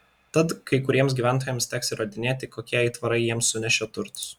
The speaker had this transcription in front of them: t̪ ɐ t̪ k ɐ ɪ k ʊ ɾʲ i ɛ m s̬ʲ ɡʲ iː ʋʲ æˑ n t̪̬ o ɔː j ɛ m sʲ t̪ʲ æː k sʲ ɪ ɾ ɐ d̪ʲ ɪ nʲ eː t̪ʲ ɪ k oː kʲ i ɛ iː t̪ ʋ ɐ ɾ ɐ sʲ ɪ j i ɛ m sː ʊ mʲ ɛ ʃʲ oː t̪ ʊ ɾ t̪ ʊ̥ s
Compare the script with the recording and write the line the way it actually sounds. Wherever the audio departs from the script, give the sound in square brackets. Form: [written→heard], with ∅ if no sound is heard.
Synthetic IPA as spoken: t̪ ɐ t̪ k ɐ ɪ k ʊ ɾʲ i ɛ m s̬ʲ ɡʲ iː ʋʲ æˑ n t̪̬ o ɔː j ɛ m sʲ t̪ʲ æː k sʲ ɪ ɾ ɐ d̪ʲ ɪ nʲ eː t̪ʲ ɪ k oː kʲ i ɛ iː t̪ ʋ ɐ ɾ ɐ [sʲ→∅] ɪ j i ɛ m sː ʊ [mʲ→nʲ] ɛ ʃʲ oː t̪ ʊ ɾ t̪ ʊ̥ s